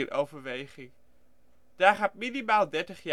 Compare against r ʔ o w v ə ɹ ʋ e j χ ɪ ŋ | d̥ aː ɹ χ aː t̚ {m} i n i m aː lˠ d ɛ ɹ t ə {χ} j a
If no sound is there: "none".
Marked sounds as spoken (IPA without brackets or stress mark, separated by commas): m, χ